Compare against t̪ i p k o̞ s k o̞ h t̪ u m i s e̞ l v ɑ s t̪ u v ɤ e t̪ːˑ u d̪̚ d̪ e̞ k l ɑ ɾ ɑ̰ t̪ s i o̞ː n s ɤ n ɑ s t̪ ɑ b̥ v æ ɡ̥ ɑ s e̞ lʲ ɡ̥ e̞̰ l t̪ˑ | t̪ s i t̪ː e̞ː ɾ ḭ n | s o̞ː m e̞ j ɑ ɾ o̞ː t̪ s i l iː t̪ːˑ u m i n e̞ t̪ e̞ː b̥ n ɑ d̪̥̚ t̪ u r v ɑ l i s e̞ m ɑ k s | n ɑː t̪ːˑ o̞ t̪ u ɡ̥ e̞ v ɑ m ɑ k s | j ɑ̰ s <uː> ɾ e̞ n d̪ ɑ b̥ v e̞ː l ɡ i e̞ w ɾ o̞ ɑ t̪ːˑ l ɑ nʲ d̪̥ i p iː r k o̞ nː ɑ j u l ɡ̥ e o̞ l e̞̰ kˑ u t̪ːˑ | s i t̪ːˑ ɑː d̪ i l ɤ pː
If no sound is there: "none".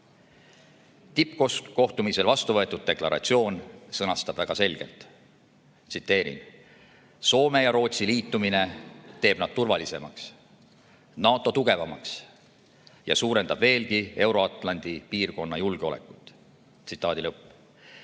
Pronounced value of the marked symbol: uː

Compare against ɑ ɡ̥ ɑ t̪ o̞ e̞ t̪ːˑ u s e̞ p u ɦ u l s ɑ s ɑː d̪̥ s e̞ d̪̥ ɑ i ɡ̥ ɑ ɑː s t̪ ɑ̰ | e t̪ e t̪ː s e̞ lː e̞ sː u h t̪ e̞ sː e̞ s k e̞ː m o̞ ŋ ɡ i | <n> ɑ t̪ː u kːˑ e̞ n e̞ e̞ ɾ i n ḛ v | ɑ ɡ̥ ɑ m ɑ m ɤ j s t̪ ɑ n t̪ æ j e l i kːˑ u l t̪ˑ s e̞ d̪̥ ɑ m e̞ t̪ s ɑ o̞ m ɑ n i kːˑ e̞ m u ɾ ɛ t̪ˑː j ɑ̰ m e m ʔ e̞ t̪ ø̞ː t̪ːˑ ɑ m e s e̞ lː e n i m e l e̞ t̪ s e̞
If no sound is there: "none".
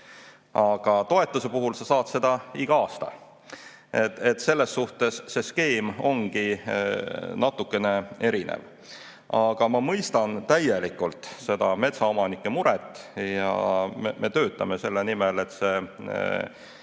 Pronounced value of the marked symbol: n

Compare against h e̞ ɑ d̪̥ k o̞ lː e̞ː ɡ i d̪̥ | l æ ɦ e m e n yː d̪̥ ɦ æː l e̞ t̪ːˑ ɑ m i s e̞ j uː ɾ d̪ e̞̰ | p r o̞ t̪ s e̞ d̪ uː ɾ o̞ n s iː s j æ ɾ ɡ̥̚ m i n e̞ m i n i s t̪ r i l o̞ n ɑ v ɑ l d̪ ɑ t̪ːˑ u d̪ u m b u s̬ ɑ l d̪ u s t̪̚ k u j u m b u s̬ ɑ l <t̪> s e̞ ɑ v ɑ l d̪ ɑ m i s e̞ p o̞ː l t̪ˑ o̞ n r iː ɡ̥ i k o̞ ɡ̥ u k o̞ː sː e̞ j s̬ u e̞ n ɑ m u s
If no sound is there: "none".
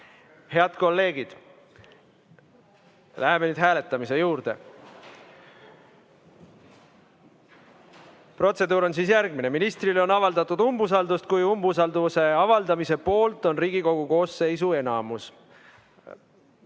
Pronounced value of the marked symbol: d̪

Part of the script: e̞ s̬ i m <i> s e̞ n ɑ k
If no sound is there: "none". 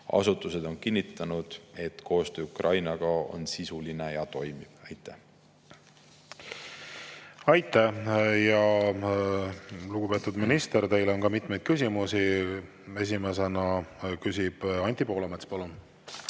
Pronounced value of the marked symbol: e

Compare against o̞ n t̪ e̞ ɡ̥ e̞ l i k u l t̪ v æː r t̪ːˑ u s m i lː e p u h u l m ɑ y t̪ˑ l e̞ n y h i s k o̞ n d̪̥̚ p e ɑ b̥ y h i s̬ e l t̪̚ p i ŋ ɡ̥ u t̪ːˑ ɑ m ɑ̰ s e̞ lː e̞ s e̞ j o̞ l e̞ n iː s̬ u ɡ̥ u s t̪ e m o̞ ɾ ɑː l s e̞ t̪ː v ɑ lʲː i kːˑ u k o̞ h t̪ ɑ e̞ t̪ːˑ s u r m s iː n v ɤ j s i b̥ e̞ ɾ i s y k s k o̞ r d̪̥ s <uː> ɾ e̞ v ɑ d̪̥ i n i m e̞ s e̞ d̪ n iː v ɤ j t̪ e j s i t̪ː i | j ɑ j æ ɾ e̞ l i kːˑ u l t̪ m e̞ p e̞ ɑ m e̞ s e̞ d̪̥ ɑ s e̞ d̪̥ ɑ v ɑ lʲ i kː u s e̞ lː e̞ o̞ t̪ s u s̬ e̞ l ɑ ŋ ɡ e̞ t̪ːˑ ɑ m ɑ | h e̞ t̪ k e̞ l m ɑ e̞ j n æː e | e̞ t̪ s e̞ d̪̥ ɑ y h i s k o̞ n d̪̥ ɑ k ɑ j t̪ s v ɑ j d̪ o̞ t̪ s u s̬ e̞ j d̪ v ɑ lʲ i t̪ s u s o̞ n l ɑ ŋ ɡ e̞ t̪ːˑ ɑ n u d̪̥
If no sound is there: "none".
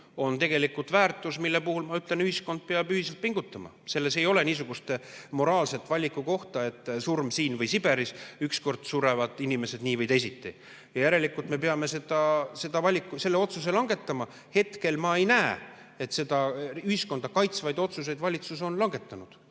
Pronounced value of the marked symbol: u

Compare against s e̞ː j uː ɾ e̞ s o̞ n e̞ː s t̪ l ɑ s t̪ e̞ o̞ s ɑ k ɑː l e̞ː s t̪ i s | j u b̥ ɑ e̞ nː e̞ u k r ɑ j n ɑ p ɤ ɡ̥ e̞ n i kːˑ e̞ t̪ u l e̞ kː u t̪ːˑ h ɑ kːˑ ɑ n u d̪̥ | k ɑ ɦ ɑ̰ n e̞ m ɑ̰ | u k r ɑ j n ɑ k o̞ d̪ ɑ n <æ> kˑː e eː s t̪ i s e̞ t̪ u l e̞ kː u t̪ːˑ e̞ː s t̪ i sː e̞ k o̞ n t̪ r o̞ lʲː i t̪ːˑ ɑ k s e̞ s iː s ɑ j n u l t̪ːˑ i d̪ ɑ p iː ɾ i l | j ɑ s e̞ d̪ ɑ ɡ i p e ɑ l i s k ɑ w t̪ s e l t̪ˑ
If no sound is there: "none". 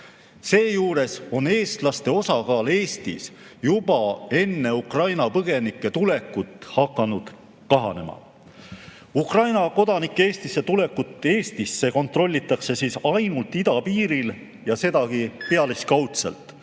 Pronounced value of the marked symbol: i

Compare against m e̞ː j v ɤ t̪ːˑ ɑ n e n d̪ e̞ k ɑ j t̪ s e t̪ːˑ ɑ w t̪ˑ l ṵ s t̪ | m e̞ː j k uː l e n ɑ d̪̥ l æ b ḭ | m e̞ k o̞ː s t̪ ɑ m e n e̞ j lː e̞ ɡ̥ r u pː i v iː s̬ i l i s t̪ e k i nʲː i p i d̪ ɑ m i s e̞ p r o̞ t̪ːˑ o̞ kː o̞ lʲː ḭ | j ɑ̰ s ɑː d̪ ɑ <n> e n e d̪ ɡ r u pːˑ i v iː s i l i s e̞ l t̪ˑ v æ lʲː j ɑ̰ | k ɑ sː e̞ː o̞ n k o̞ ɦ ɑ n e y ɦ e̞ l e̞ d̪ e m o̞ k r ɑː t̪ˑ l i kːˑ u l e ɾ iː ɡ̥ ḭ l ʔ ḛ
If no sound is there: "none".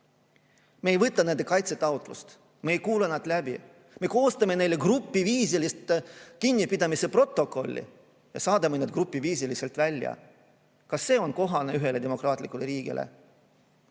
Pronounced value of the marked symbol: m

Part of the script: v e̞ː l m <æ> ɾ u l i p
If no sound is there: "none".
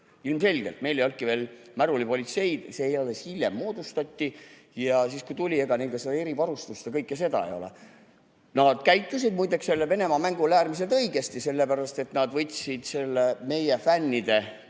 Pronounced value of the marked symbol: æ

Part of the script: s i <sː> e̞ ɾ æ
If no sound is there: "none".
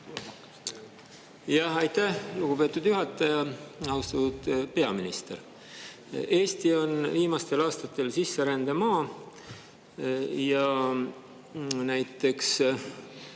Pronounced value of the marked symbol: sː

